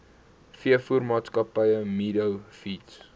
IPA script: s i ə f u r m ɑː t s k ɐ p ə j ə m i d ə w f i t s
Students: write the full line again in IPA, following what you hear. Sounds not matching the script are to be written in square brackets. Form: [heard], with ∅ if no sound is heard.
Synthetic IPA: [f] i ə f u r m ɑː t s k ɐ p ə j ə m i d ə w f i t s